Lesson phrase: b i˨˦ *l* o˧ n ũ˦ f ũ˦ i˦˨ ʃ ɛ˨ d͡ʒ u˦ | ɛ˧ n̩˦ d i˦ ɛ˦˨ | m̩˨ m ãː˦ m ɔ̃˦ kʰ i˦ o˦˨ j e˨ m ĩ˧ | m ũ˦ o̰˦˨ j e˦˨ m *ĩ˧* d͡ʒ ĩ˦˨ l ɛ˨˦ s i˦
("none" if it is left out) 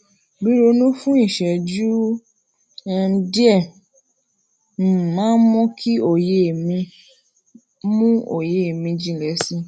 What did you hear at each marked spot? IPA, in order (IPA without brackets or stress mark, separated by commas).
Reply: ɾ, ĩ˧